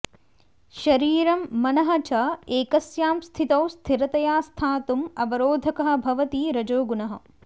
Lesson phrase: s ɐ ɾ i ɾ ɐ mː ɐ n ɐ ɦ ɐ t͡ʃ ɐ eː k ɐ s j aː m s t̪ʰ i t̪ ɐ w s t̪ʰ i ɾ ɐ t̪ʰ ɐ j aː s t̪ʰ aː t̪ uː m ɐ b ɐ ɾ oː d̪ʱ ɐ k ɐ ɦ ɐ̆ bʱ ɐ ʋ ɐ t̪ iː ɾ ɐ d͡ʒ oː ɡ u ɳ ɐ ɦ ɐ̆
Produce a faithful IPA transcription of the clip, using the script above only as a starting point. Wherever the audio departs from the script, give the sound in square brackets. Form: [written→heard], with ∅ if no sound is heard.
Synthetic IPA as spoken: [s→ʃ] ɐ ɾ [i→iː] ɾ ɐ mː ɐ n ɐ ɦ ɐ t͡ʃ ɐ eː k ɐ s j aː m s t̪ʰ i t̪ ɐ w s t̪ʰ i ɾ ɐ [t̪ʰ→t̪] ɐ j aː s t̪ʰ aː t̪ [uː→u] m ɐ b ɐ ɾ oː d̪ʱ ɐ k ɐ ɦ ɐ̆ bʱ ɐ ʋ ɐ t̪ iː ɾ ɐ d͡ʒ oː ɡ u [ɳ→n] ɐ ɦ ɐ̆